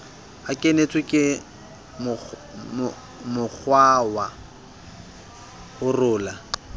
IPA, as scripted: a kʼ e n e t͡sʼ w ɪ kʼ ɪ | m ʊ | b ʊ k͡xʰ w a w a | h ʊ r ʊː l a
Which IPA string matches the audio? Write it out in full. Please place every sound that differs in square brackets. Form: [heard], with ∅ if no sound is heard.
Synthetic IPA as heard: a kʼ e n e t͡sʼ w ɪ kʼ ɪ | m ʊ | [m] ʊ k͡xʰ w a w a | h ʊ r ʊː l a